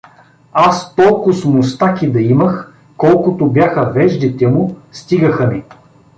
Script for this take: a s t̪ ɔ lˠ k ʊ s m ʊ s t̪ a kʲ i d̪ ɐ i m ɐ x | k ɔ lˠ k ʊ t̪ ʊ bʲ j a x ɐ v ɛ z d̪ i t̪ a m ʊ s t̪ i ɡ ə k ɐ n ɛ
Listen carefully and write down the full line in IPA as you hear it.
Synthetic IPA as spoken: a s t̪ ɔ lˠ k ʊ s m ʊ s t̪ a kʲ i d̪ ɐ i m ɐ x | k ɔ lˠ k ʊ t̪ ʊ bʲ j a x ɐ v ɛ ʒ d̪ i t̪ ɛ m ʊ s t̪ i ɡ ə x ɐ n ɛ